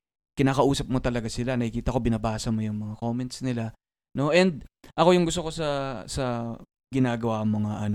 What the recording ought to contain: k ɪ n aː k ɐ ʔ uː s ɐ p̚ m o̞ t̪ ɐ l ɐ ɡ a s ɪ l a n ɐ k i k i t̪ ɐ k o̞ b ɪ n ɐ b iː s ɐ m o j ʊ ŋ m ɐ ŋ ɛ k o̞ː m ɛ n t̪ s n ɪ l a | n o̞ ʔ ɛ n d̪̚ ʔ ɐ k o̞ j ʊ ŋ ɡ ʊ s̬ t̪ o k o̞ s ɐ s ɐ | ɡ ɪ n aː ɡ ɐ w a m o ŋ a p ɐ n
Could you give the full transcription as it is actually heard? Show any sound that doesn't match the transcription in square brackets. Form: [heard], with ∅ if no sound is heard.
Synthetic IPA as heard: k ɪ n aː k ɐ ʔ uː s ɐ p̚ m o̞ t̪ ɐ l ɐ ɡ a s ɪ l a n ɐ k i k [iː] t̪ ɐ k o̞ b ɪ n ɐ b [aː] s ɐ m o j ʊ ŋ m ɐ ŋ [a] k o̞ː m ɛ n t̪ s n ɪ l a | n o̞ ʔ ɛ n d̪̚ ʔ ɐ k o̞ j ʊ ŋ ɡ ʊ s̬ t̪ o k o̞ s ɐ s ɐ | ɡ ɪ n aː ɡ ɐ w a m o ŋ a [ʔ] ɐ n